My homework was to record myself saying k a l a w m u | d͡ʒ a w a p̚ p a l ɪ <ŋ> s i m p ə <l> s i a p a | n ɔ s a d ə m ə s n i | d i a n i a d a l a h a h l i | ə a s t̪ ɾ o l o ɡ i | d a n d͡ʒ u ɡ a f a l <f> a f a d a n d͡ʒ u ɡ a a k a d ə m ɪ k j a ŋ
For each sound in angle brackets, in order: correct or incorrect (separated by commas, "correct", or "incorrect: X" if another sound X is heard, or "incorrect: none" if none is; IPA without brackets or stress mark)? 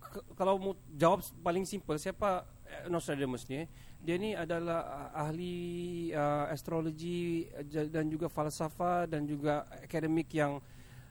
correct, correct, incorrect: s